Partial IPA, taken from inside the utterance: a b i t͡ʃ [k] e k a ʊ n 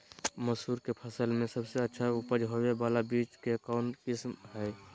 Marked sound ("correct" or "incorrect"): correct